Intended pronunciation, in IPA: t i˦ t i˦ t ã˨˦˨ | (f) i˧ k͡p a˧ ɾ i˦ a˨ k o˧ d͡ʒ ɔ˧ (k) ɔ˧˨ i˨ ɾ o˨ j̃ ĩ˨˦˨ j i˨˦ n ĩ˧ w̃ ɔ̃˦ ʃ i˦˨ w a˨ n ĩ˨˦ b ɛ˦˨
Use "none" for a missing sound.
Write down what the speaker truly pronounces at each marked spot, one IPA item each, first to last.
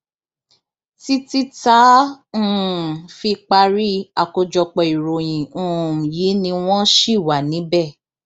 f, k͡p

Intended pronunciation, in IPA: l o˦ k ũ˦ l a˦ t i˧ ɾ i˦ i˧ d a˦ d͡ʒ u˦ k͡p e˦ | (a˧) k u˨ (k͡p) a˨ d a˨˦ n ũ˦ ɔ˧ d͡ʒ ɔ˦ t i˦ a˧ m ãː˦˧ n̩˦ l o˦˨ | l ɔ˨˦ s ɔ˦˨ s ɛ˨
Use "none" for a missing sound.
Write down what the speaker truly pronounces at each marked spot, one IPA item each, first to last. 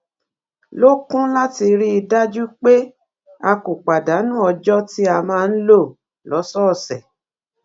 a˧, k͡p

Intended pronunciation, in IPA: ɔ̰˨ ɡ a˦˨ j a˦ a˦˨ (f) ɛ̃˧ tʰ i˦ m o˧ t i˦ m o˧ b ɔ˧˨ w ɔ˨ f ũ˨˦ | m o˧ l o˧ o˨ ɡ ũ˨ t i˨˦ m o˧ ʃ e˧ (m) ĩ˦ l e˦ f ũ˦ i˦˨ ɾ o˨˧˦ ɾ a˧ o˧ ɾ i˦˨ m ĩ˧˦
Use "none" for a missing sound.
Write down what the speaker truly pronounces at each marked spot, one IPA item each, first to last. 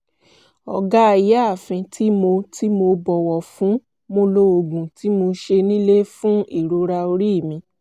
f, n

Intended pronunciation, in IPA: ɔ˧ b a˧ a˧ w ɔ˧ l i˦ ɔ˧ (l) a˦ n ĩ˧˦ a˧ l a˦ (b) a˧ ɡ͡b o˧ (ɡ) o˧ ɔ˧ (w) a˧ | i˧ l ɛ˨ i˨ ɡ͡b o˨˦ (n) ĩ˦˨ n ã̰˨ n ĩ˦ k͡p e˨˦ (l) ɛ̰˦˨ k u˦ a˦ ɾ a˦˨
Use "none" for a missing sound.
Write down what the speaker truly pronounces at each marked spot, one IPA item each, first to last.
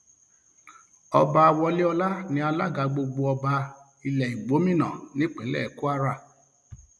l, ɡ, ɡ͡b, b, m, l

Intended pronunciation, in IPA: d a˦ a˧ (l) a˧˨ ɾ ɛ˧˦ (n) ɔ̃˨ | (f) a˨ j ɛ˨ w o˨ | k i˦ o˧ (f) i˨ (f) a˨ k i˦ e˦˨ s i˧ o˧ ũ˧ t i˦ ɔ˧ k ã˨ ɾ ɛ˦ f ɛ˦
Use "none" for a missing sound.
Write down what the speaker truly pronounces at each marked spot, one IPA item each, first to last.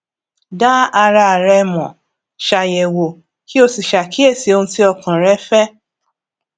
ɾ, m, ʃ, s, ʃ

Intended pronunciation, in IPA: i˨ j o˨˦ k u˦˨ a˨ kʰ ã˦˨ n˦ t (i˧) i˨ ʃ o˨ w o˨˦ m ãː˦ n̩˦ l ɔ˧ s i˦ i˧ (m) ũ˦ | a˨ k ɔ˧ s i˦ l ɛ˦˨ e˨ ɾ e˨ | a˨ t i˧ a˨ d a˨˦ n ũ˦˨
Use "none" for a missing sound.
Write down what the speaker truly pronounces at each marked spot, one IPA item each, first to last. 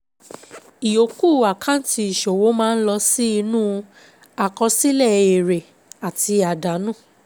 i˧, n

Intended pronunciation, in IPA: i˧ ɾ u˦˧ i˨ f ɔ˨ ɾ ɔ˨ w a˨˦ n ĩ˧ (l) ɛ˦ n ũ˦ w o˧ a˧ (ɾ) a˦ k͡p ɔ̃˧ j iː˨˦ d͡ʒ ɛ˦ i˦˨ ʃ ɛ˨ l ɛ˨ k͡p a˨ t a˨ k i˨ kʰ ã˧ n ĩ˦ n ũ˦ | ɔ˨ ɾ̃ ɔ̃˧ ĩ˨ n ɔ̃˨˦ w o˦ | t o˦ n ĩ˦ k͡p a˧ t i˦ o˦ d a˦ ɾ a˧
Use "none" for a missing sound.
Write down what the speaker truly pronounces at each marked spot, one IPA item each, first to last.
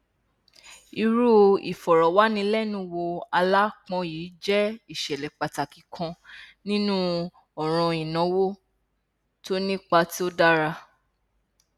l, l

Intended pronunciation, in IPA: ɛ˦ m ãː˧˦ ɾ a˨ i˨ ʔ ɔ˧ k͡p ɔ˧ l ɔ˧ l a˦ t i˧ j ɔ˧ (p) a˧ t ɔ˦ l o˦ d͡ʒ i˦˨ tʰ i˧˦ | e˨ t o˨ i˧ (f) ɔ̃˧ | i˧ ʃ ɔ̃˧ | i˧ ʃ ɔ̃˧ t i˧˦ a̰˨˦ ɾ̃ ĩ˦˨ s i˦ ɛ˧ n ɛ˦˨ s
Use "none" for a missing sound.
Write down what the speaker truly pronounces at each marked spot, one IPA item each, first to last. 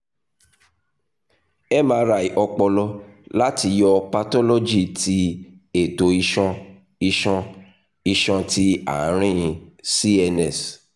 p, ʃ

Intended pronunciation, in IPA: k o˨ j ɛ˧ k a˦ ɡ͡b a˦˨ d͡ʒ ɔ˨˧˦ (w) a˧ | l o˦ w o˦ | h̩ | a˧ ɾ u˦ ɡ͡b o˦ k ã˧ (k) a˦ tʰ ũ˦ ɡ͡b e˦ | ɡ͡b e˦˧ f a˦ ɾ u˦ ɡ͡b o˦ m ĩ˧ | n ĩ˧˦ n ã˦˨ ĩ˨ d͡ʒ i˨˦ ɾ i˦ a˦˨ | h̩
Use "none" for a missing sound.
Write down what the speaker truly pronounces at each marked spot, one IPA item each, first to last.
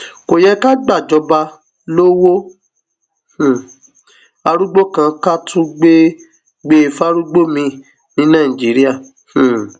b, k

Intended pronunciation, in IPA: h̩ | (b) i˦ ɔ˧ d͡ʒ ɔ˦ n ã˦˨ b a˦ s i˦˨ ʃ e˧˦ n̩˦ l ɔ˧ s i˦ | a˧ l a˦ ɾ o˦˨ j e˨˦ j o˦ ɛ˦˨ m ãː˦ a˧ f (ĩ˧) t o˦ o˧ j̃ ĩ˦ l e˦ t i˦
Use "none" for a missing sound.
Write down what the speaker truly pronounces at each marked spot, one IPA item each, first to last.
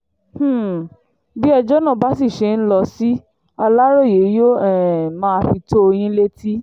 b, i˧

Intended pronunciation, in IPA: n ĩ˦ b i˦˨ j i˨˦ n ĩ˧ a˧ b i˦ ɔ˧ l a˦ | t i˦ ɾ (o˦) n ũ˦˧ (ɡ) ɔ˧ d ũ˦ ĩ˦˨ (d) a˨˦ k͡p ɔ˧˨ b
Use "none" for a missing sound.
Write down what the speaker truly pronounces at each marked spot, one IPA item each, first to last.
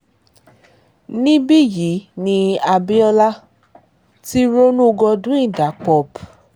o˦, ɡ, d

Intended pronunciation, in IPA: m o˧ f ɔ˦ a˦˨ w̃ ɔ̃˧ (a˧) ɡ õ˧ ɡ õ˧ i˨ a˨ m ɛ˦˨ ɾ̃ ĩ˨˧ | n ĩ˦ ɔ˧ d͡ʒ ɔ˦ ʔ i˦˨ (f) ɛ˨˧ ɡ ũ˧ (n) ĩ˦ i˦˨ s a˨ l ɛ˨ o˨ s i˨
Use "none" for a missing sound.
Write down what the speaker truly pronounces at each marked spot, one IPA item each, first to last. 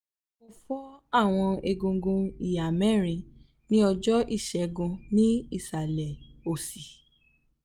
e˧, ʃ, n

